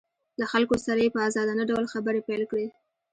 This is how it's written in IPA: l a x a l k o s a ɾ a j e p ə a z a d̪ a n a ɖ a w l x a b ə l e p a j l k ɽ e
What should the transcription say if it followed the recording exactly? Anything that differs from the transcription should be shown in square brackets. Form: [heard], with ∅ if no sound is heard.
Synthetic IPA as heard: l a x a l k o s a ɾ a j e p ə a z [ɑ] d̪ a n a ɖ a w l x a b ə [ɾ] e p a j l k ɽ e

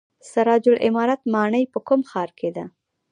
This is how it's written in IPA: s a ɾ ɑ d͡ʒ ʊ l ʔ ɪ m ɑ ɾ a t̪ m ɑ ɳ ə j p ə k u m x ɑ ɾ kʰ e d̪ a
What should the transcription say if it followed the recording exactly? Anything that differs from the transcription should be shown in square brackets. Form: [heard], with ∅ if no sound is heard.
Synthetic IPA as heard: s a ɾ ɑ d͡ʒ ʊ l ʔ ɪ m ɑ ɾ a t̪ m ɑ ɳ ə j p ə k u m x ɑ ɾ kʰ e d̪ a

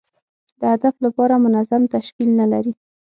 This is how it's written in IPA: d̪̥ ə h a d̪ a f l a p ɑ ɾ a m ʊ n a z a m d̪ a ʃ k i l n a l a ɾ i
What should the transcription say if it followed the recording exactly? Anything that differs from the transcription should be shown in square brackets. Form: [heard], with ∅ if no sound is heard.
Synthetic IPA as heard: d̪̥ ə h a d̪ a f l a p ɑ ɾ a m ʊ n a z a m [t̪] a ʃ k i l n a l a ɾ i

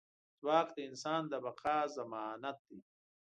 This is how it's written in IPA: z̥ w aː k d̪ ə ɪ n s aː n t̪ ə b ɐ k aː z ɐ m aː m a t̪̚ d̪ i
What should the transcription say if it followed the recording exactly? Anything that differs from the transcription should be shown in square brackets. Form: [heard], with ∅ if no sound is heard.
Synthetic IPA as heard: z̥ w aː k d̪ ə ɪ n s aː n [d̪] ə b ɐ [q] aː z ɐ m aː [n] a t̪̚ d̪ i

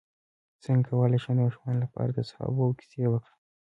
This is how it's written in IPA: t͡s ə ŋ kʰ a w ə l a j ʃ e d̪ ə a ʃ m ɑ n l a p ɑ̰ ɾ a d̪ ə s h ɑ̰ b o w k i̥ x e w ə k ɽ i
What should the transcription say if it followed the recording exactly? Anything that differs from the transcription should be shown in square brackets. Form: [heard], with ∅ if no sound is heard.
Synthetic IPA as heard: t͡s ə ŋ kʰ a w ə l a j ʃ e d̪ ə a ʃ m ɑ n l a p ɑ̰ ɾ a d̪ ə s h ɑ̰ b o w k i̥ [s] e w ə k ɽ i

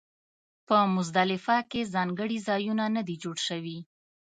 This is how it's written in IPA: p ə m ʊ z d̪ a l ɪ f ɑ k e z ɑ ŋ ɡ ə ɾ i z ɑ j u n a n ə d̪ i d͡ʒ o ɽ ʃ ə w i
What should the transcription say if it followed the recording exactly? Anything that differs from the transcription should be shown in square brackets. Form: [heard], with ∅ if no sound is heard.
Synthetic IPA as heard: p ə m ʊ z d̪ a l ɪ f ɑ k e z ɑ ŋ ɡ ə [ɽ] i z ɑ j u n a n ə d̪ i d͡ʒ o ɽ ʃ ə w i

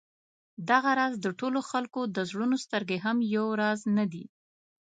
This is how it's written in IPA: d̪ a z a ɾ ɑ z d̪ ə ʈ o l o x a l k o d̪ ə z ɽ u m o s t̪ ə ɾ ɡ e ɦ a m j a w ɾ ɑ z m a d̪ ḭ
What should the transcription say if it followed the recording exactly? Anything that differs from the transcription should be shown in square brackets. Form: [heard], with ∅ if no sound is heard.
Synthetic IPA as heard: d̪ a [ɣ] a ɾ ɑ z d̪ ə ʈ o l o x a l k o d̪ ə z ɽ u [n] o s t̪ ə ɾ ɡ e ɦ a m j a w ɾ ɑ z [n] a d̪ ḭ

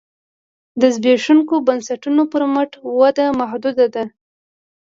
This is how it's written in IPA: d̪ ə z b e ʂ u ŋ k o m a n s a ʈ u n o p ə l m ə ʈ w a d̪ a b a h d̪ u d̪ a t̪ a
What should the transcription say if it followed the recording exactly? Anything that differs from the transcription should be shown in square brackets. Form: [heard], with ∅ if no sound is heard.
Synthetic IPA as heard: d̪ ə z b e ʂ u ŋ k o [b] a n s a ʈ u n o p ə [ɾ] m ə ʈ w a d̪ a [m] a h d̪ u d̪ a [d̪] a

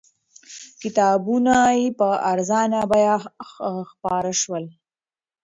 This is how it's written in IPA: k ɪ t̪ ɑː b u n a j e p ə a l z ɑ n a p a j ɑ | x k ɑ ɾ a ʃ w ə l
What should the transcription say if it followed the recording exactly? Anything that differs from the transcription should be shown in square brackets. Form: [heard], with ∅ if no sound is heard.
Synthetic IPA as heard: k ɪ t̪ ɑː b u n a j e p ə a [ɾ] z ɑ n a [b] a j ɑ | x [p] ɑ ɾ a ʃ w ə l

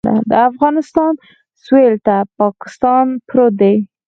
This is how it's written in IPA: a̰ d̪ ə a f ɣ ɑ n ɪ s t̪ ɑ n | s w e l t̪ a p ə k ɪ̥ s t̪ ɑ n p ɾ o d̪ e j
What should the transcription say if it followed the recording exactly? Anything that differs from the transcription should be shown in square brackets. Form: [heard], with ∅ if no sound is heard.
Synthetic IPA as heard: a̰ d̪ ə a f ɣ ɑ n ɪ s t̪ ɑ n | s w e l t̪ a p [ɑ] k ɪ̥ s t̪ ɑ n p ɾ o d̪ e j

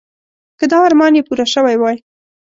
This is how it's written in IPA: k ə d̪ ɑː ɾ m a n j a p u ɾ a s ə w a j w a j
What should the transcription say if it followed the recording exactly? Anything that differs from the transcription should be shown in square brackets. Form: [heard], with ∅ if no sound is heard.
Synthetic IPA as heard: k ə d̪ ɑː ɾ m [ɑ] n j [e] p u ɾ a [ʃ] ə w a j w [ɑ] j

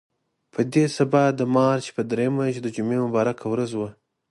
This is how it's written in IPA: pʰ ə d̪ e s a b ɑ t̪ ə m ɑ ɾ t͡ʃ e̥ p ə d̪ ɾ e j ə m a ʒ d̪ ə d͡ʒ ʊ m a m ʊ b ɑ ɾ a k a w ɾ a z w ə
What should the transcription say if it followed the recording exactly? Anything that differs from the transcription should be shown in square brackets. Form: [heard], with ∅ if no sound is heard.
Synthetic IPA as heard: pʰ ə d̪ e s a b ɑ [d̪] ə m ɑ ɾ t͡ʃ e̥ p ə d̪ ɾ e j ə m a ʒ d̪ ə d͡ʒ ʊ m [e] m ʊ b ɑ ɾ a k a w ɾ a z w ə

